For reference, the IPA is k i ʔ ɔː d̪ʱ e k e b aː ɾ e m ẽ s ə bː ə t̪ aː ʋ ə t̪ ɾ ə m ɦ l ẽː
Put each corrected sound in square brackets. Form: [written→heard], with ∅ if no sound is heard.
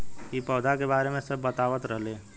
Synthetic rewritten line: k i [ʔ→p] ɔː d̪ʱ [e→a] k e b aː ɾ e m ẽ s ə bː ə t̪ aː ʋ ə t̪ ɾ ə [m→∅] ɦ l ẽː